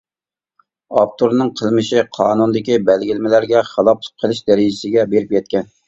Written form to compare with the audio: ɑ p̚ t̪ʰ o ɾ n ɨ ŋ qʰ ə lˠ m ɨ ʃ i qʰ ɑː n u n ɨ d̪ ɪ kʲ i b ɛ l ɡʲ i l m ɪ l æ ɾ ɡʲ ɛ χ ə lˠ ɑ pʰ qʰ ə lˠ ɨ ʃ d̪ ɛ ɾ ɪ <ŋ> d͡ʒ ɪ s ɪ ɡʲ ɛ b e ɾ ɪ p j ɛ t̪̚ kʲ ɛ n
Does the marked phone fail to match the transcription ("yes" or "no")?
yes